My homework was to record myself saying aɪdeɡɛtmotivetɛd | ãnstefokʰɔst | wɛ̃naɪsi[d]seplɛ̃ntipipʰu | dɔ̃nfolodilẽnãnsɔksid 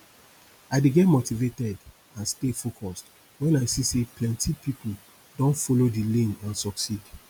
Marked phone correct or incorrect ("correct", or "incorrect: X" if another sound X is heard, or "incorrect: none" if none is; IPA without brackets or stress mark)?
incorrect: none